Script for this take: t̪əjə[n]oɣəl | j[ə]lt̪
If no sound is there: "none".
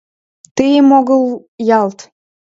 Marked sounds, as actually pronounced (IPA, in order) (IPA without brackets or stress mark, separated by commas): m, ɑ